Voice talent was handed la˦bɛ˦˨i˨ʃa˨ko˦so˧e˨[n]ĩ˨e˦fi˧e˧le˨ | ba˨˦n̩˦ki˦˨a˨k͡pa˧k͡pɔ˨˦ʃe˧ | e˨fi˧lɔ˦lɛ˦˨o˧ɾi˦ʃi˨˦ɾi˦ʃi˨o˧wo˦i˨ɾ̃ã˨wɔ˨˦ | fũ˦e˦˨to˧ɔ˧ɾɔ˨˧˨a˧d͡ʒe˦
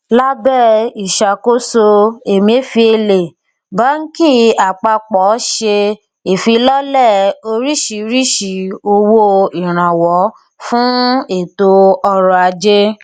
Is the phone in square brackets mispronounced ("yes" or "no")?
yes